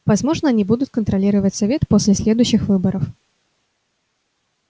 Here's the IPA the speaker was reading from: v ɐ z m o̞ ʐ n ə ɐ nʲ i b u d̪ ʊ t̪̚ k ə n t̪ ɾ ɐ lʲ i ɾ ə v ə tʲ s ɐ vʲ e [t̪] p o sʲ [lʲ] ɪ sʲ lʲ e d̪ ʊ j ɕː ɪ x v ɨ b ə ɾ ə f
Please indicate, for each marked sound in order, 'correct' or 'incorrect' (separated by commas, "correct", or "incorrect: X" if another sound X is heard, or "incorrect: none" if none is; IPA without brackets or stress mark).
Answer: correct, correct